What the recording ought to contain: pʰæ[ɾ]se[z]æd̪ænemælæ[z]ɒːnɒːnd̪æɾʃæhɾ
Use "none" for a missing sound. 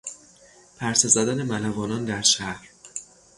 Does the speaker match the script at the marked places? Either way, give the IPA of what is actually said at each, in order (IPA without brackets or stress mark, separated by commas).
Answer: ɾ, z, v